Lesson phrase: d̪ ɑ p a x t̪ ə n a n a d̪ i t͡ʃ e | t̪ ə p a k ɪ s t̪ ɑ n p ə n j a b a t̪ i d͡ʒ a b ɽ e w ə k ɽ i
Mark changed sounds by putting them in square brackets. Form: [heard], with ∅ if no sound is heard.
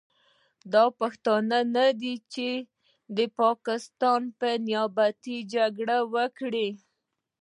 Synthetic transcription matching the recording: d̪ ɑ p a x t̪ [ɑ] n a n a d̪ i t͡ʃ e | [d̪] ə p [ɑ] k ɪ s t̪ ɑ n p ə n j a b a t̪ i d͡ʒ a [ɡ] ɽ [a] w ə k ɽ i